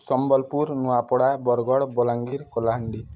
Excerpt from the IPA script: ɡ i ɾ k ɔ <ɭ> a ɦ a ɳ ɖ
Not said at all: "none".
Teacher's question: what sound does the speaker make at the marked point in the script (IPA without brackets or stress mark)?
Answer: l